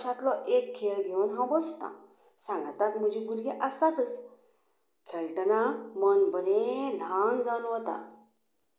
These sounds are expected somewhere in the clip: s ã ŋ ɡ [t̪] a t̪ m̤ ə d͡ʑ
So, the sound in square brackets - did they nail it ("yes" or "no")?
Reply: yes